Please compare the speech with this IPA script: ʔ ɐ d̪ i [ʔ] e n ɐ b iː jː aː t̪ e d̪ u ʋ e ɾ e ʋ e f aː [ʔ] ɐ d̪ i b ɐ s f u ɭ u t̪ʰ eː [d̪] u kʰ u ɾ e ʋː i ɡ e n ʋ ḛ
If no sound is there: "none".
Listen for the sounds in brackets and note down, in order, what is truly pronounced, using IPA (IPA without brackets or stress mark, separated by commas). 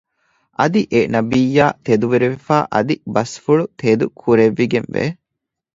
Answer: ʔ, ʔ, d̪